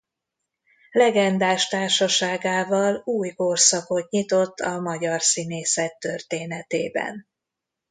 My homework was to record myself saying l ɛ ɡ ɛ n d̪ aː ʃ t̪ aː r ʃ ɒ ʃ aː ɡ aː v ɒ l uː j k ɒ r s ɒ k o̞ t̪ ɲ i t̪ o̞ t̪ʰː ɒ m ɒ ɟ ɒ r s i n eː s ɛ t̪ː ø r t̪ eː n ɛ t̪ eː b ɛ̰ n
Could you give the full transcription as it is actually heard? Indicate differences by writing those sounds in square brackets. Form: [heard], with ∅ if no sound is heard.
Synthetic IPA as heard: l ɛ ɡ ɛ n d̪ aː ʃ t̪ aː r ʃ ɒ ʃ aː ɡ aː v ɒ l uː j k [o] r s ɒ k o̞ t̪ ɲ i t̪ o̞ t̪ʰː ɒ m ɒ ɟ ɒ r s i n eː s ɛ t̪ː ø r t̪ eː n ɛ t̪ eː b ɛ̰ n